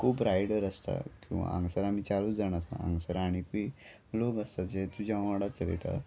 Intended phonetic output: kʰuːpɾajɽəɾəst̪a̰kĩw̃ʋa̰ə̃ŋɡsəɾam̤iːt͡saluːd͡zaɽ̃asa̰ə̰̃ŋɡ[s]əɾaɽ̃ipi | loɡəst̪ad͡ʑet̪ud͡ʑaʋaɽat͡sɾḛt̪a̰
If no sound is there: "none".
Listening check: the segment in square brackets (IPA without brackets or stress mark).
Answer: s